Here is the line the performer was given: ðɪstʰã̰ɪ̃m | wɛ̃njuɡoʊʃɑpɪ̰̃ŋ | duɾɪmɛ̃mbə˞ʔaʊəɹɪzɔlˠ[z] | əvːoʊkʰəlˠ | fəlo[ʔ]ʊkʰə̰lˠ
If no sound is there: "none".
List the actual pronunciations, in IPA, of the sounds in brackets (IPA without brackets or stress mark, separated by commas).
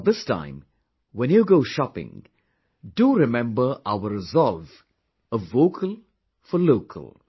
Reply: v, none